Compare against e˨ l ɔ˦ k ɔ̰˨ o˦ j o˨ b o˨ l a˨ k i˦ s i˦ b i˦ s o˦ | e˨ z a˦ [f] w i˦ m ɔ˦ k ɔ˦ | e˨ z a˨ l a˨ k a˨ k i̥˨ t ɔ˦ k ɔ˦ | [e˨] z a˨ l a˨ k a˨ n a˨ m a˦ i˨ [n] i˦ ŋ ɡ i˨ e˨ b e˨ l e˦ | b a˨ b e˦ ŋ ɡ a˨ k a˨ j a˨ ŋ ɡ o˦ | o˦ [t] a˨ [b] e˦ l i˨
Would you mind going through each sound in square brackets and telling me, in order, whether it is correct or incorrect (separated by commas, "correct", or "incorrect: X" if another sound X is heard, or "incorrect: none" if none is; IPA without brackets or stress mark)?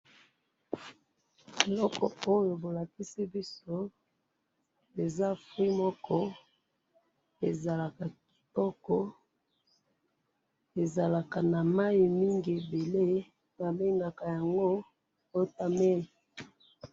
correct, correct, incorrect: m, correct, incorrect: m